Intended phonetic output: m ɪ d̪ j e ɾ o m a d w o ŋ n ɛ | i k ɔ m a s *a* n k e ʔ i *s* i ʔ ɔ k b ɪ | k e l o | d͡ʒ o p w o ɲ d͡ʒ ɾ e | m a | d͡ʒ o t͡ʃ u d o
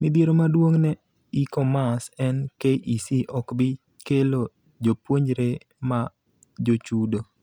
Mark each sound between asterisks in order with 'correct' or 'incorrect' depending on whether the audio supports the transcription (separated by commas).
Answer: incorrect, correct